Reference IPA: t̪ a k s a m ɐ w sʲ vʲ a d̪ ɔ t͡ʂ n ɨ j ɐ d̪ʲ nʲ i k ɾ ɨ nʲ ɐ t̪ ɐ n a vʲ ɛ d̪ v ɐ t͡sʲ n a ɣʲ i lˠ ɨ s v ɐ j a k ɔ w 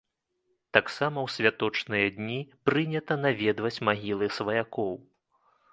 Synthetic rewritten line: t̪ a k s a m ɐ w sʲ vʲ a t̪ ɔ t͡ʂ n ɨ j ɐ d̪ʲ nʲ i p ɾ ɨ nʲ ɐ t̪ ɐ n a vʲ ɛ d̪ v ɐ t͡sʲ m a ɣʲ i lˠ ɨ s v ɐ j a k ɔ w